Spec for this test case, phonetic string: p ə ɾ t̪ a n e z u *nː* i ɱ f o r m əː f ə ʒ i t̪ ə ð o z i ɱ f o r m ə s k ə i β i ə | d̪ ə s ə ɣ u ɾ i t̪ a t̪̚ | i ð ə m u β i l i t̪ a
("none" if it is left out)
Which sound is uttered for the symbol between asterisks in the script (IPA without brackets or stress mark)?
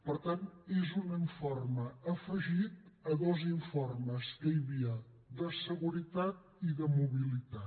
n